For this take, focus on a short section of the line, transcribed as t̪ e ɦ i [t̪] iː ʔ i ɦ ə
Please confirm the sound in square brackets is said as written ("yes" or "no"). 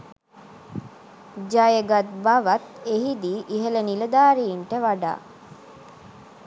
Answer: no